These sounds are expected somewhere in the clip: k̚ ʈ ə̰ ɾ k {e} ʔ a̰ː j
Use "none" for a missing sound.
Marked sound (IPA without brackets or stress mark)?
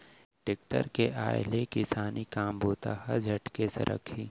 e